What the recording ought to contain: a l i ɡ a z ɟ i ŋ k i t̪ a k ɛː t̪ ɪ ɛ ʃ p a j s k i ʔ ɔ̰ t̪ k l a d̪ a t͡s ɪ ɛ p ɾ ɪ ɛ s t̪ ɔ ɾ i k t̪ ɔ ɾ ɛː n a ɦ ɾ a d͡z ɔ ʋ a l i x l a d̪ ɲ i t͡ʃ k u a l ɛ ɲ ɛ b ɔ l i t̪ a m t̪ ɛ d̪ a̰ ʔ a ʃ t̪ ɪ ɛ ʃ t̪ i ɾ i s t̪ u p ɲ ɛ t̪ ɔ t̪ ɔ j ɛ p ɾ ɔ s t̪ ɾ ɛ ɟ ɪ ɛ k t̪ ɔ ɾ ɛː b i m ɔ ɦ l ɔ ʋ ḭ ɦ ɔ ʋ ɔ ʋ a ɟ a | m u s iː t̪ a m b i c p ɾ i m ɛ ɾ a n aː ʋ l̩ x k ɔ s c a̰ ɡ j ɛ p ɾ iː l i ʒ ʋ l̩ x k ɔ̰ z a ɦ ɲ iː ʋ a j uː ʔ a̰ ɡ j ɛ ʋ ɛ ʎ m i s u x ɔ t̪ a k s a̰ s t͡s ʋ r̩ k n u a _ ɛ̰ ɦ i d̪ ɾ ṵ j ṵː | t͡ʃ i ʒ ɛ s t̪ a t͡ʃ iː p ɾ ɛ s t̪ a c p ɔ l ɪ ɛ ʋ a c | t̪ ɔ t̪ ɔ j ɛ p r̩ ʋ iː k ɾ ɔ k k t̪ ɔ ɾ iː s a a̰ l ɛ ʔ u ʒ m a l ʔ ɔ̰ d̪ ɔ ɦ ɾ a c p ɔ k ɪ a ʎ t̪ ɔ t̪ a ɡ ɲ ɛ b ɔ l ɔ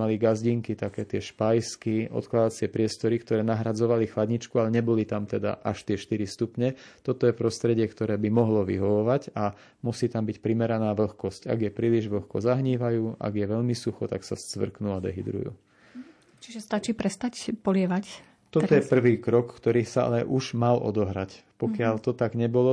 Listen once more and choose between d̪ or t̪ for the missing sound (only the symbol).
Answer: d̪